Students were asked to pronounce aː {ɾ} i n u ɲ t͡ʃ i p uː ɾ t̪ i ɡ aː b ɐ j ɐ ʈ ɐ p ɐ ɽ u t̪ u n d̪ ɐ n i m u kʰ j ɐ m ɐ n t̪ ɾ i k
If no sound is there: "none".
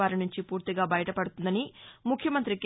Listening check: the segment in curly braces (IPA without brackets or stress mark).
ɾ